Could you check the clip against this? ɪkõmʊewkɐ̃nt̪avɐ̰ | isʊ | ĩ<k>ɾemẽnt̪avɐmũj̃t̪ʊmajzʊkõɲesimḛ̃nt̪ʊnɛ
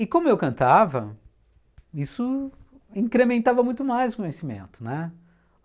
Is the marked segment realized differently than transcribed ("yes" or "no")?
no